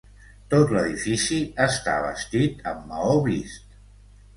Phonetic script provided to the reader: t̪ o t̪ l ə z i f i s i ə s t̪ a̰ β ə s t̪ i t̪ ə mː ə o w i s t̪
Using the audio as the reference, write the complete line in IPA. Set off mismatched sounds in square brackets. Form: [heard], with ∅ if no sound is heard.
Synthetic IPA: t̪ o t̪ l ə [ð] i f i s i ə s t̪ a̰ β ə s t̪ i t̪ ə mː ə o [β] i s t̪